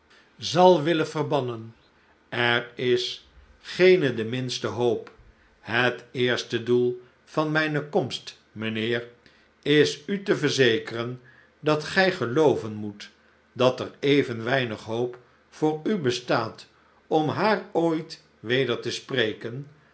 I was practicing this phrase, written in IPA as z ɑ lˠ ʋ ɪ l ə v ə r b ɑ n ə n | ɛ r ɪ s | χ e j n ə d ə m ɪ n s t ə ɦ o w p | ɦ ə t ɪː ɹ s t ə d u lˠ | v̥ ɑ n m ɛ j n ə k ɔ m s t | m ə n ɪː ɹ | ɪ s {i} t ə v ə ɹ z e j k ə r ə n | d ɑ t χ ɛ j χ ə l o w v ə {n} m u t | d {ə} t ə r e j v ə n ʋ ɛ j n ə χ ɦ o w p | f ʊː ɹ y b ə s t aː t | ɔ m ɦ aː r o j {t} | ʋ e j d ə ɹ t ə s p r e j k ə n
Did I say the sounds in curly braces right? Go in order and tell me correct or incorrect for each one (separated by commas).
incorrect, correct, incorrect, correct